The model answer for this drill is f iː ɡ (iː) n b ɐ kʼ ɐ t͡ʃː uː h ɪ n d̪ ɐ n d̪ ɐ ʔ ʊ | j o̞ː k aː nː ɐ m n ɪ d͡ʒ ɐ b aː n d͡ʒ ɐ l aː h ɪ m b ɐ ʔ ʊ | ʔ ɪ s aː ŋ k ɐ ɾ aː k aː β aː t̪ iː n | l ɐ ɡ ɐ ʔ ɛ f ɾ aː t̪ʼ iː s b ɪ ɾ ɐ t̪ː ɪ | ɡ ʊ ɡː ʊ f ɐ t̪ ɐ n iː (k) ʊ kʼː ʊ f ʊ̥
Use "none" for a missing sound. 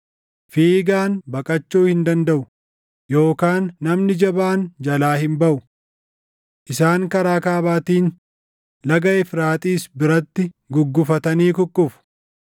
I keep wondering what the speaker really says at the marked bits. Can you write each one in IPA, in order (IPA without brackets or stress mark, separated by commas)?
aː, k